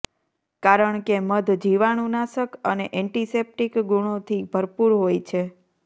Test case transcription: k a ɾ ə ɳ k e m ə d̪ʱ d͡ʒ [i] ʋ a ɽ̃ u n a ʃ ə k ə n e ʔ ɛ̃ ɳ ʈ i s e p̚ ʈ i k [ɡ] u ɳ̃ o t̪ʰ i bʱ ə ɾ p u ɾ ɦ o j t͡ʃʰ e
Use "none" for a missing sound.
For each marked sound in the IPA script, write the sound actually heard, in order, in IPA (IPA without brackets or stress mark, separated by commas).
i, ɡ